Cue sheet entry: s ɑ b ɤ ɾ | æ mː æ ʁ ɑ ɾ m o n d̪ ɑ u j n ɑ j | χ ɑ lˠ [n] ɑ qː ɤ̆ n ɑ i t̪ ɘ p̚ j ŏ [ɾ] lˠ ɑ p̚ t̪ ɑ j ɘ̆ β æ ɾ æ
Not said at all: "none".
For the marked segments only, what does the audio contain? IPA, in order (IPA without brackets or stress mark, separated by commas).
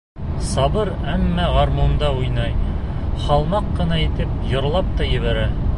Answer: m, ɾ